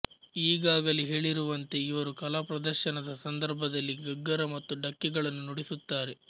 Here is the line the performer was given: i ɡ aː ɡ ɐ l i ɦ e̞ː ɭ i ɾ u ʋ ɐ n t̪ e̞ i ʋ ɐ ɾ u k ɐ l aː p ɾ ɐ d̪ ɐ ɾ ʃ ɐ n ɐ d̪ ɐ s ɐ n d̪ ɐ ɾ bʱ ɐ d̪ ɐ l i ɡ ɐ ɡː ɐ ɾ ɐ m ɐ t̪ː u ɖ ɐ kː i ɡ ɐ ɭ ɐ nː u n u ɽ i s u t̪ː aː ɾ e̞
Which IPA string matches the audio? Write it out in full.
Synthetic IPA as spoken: iː ɡ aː ɡ ɐ l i ɦ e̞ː ɭ i ɾ u ʋ ɐ n t̪ e̞ i ʋ ɐ ɾ u k ɐ l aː p ɾ ɐ d̪ ɐ ɾ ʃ ɐ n ɐ d̪ ɐ s ɐ n d̪ ɐ ɾ bʱ ɐ d̪ ɐ lː i ɡ ɐ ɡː ɐ ɾ ɐ m ɐ t̪ː u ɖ ɐ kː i ɡ ɐ ɭ ɐ nː u n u ɽ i s u t̪ː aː ɾ e̞